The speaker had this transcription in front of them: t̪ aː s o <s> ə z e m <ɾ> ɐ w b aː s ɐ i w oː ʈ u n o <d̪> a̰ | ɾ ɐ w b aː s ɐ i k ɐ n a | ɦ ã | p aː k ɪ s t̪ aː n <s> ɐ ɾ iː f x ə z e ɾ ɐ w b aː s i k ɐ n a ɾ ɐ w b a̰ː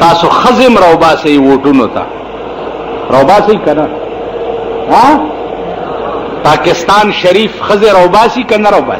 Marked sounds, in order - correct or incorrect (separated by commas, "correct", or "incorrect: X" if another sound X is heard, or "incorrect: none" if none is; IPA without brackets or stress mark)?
incorrect: x, correct, incorrect: t̪, incorrect: ʃ